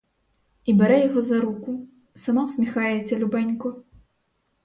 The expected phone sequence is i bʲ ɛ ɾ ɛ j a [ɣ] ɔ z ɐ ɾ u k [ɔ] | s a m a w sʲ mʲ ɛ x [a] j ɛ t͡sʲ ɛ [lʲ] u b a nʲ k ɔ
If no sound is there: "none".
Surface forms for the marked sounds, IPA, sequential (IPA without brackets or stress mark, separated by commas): ɣ, u, a, lʲ